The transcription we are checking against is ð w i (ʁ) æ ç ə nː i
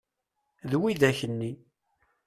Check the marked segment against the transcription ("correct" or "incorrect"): incorrect